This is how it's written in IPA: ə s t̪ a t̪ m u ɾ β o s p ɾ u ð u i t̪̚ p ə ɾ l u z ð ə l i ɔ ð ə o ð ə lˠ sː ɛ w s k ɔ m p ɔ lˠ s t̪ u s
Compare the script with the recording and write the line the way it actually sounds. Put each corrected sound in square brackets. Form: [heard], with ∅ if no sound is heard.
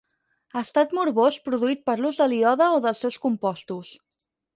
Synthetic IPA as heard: ə s t̪ a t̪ m u ɾ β o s p ɾ u ð u i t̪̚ p ə ɾ l u z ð ə l i ɔ ð ə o ð ə lˠ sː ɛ w s k [u] m p ɔ [∅] s t̪ u s